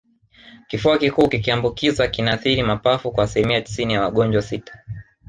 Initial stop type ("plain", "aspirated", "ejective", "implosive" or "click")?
plain